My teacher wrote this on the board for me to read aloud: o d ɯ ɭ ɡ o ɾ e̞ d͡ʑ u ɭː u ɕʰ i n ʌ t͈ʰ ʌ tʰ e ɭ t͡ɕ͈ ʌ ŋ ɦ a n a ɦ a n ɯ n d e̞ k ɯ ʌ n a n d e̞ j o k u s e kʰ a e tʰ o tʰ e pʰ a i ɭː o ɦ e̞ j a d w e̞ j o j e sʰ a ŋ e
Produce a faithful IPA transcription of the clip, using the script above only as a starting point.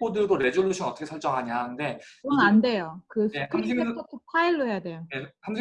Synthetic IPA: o d ɯ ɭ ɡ o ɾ e̞ d͡ʑ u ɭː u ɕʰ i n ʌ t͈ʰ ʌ kʰ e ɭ t͡ɕ͈ ʌ ŋ ɦ a ɲ a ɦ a n ɯ n d e̞ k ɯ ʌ n a n d e̞ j o k ɯ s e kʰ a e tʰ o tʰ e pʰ a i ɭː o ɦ e̞ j a d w e̞ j o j e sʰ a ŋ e

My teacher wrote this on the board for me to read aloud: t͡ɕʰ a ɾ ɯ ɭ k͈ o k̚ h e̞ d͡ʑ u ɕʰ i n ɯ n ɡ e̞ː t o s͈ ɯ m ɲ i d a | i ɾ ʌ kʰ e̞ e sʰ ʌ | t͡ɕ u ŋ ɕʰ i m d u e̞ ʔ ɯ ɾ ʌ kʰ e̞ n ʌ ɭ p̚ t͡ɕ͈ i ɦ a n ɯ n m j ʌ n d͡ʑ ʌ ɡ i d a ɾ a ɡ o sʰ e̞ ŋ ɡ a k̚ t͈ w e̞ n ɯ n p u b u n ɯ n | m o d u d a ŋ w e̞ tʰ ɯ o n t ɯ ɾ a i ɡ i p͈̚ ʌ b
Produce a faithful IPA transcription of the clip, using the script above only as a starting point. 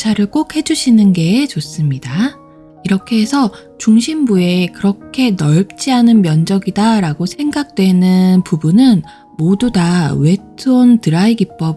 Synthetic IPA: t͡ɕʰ a ɾ ɯ ɭ k͈ o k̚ h e̞ d͡ʑ u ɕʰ i n ɯ n ɡ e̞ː t͡ɕ o s͈ ɯ m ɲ i d a | i ɾ ʌ kʰ e̞ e sʰ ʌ | t͡ɕ u ŋ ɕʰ i m b u e̞ k ɯ ɾ ʌ kʰ e̞ n ʌ ɭ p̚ t͡ɕ͈ i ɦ a n ɯ n m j ʌ n d͡ʑ ʌ ɡ i d a ɾ a ɡ o sʰ e̞ ŋ ɡ a k̚ t͈ w e̞ n ɯ n p u b u n ɯ n | m o d u d a w e̞ tʰ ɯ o n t ɯ ɾ a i ɡ i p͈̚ ʌ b

